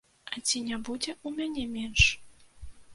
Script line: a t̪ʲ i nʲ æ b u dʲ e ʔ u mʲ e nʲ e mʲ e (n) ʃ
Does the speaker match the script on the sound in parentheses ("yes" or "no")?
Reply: yes